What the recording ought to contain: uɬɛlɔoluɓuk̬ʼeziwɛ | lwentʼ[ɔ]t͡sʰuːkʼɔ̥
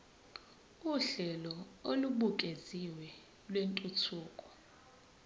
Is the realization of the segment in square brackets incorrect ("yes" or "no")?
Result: yes